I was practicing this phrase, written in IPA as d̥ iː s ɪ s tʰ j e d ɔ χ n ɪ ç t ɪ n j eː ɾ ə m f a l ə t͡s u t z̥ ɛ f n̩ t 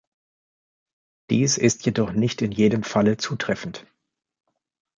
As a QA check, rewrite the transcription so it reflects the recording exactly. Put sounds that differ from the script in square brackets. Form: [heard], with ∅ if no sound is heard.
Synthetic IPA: d̥ iː s ɪ s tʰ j e d ɔ χ n ɪ ç t ɪ n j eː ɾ ə m f a l ə t͡s [uː] t [ʁ̥] ɛ f n̩ t